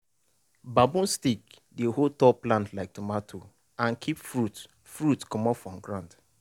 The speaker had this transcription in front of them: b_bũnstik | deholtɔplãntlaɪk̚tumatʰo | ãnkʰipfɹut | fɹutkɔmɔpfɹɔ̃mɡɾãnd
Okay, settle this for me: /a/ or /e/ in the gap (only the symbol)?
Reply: a